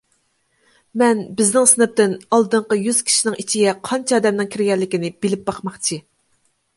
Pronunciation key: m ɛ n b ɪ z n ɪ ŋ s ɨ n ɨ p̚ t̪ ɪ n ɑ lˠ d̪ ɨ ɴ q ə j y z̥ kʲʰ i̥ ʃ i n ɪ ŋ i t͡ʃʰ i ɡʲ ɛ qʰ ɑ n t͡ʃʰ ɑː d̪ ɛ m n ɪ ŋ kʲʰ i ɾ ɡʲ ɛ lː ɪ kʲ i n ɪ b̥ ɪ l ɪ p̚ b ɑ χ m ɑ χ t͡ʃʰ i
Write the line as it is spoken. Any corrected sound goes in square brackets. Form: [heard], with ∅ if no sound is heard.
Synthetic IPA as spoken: m ɛ n b ɪ z n ɪ ŋ s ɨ n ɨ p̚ t̪ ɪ n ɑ lˠ d̪ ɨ ɴ q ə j y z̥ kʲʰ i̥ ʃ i n ɪ ŋ i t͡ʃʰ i ɡʲ ɛ qʰ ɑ n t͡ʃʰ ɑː d̪ ɛ m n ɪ ŋ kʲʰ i ɾ ɡʲ ɛ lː ɪ kʲ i n ɪ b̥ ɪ l ɪ p̚ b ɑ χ m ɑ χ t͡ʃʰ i